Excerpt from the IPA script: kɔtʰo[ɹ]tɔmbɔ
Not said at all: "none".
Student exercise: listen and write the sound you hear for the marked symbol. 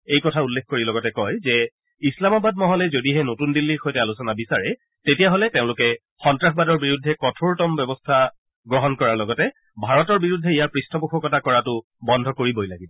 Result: ɹ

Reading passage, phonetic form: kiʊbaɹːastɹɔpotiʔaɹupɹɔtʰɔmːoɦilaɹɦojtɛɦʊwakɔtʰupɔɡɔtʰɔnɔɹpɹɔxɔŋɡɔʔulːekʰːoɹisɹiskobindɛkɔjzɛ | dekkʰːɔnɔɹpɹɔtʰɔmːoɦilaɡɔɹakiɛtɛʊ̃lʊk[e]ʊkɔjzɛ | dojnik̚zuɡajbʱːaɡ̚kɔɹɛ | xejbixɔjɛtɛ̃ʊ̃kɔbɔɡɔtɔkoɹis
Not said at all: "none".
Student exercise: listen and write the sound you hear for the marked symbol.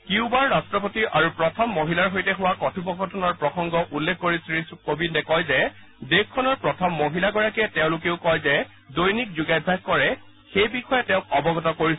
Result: e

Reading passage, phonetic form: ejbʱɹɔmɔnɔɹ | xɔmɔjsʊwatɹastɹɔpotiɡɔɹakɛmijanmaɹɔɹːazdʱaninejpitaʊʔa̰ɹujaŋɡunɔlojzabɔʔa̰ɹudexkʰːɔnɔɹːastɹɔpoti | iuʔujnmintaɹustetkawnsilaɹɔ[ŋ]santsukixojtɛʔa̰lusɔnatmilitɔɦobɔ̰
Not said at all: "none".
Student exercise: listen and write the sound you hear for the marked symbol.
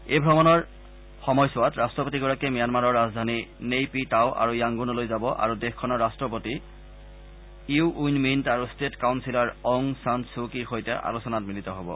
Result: ŋ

